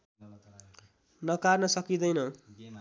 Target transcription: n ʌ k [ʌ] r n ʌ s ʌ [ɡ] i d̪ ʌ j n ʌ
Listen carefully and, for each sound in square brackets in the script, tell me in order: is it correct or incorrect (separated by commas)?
incorrect, incorrect